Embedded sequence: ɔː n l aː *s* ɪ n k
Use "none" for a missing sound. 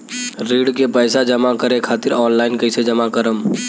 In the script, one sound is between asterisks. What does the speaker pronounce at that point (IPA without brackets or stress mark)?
none